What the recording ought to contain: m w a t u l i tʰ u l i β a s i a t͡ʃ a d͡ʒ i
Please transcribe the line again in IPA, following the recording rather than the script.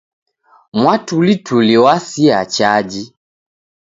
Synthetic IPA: m w a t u l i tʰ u l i w a s i a t͡ʃ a d͡ʒ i